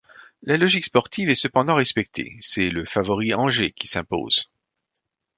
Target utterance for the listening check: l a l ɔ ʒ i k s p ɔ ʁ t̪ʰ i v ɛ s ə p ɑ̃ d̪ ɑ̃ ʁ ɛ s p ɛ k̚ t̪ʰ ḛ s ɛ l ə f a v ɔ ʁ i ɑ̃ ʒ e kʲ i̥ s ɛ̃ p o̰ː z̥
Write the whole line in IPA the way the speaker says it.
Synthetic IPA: l a l ɔ ʒ i k s p ɔ ʁ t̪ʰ i v ɛ s ə p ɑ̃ d̪ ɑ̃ ʁ ɛ s p ɛ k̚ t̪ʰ ḛ s ɛ l ə f a v ɔ ʁ i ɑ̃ ʒ e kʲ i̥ s ɛ̃ p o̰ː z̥